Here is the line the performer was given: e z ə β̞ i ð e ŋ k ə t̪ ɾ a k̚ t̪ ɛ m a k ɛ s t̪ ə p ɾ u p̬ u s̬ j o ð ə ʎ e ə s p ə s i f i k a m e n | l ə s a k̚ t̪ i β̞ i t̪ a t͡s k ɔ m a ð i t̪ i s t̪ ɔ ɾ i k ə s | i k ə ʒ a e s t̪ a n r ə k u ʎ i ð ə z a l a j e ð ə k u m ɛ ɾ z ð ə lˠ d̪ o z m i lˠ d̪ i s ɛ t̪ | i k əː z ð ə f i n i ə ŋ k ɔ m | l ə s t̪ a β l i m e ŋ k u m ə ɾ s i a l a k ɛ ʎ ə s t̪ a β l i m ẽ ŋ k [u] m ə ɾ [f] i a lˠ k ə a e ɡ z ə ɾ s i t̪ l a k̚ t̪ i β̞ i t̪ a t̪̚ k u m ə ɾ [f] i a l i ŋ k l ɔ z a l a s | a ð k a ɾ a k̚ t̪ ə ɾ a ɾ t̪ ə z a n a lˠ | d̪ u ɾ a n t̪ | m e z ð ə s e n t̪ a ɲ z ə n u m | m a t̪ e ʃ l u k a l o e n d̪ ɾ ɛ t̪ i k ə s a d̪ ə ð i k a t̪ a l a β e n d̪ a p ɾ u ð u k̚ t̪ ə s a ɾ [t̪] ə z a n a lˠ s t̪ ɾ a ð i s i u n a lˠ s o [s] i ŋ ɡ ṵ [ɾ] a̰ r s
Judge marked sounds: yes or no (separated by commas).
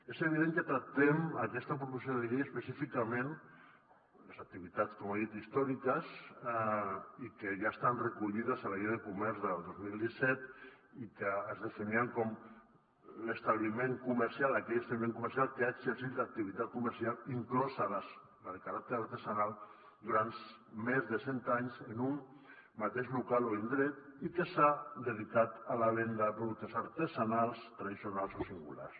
yes, no, no, yes, yes, no